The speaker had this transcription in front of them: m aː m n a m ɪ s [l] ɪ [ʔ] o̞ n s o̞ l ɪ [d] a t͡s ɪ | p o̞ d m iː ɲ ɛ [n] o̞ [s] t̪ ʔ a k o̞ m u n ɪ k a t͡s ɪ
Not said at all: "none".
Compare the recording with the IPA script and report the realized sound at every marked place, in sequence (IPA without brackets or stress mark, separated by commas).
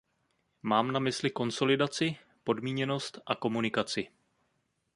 l, k, d, n, s